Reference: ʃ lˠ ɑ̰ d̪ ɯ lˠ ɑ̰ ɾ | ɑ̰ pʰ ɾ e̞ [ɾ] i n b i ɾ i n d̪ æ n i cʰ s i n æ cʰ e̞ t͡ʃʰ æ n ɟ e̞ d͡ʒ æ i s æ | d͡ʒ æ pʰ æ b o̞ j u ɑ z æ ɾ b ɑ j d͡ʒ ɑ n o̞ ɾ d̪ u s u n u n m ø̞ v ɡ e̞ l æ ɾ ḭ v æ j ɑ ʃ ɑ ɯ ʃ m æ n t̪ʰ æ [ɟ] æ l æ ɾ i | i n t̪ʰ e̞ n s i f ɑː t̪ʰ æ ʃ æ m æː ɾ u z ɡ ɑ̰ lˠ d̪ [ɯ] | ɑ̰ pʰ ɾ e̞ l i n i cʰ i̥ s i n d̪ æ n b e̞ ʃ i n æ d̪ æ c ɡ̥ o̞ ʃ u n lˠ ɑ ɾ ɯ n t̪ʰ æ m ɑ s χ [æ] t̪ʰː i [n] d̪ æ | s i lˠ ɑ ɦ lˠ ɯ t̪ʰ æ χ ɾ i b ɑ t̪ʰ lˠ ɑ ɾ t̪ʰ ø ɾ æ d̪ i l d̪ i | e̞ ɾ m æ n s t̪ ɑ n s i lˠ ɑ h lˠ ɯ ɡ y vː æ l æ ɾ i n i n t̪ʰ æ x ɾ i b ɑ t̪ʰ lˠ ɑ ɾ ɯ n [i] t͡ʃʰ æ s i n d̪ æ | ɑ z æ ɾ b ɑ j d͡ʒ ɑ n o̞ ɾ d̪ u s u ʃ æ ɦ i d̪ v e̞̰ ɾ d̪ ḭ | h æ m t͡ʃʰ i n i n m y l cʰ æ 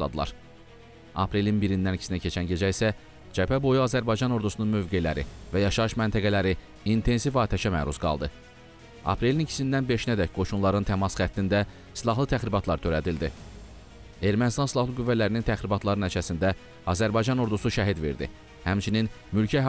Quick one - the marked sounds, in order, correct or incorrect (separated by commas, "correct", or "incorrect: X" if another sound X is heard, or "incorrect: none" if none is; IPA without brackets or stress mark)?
incorrect: l, incorrect: ɡ, correct, correct, correct, incorrect: æ